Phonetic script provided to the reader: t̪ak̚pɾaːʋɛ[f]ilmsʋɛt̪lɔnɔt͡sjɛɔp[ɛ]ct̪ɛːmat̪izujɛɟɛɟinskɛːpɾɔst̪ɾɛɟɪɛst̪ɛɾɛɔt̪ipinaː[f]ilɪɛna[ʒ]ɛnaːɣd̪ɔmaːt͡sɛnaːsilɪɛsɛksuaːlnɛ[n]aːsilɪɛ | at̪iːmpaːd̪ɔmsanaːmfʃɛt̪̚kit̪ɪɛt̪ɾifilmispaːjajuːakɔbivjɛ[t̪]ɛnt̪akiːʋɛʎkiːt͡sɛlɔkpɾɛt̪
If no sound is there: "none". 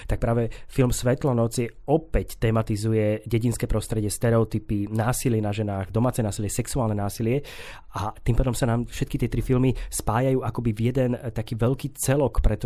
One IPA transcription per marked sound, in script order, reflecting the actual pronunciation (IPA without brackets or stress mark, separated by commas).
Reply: f, ɛ, s, ʒ, n, d̪